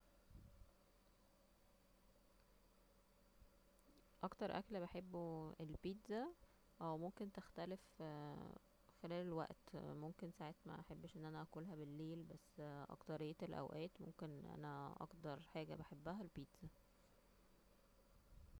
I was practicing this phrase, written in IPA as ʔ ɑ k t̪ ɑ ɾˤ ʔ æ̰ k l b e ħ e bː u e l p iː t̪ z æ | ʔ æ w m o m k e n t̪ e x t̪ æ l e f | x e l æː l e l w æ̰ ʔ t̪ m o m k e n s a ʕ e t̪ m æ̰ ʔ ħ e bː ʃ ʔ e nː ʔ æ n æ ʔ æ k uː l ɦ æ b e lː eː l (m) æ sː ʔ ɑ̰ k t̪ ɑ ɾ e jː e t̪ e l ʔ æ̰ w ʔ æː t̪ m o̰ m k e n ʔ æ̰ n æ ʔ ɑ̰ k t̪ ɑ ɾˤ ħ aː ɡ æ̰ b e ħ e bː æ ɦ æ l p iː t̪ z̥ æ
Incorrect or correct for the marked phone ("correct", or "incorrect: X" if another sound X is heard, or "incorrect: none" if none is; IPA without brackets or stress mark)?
incorrect: b